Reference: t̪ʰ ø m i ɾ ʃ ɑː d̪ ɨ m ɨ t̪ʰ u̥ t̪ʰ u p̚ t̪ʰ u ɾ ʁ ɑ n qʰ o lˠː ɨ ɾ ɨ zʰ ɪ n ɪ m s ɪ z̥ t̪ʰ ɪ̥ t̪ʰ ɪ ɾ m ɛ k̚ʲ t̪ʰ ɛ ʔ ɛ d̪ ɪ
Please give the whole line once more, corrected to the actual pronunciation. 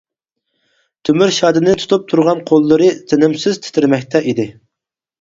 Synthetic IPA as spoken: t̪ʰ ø m y ɾ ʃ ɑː d̪ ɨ n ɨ t̪ʰ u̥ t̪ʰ u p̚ t̪ʰ u ɾ ʁ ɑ n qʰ o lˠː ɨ ɾ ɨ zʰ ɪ n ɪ m s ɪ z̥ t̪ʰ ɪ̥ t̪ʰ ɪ ɾ m ɛ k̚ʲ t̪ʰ ɛ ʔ i d̪ ɪ